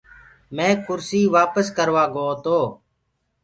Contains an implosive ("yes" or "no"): no